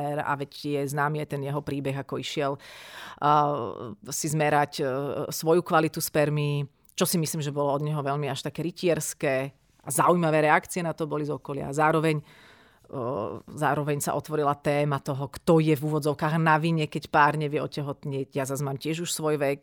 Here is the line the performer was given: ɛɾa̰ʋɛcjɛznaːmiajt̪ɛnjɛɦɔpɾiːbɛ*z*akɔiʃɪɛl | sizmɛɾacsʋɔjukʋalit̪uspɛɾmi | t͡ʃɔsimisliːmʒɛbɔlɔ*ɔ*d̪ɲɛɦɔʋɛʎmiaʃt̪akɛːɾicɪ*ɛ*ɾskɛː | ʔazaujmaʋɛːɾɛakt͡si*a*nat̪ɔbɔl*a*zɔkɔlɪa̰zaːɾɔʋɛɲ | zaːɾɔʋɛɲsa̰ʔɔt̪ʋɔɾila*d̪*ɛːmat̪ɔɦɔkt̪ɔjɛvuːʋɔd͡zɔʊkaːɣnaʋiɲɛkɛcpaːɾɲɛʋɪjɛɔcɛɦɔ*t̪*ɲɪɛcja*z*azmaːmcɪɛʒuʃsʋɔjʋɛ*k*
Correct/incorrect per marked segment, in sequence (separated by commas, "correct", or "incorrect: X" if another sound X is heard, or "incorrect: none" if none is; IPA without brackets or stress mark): incorrect: ɣ, correct, correct, incorrect: ɛ, incorrect: i, incorrect: t̪, correct, correct, correct